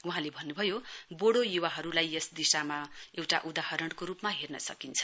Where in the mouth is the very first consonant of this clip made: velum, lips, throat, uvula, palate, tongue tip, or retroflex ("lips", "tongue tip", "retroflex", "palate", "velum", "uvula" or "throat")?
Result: throat